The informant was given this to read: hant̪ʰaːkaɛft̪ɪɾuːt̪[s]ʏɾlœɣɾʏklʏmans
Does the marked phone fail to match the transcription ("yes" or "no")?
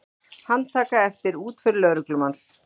yes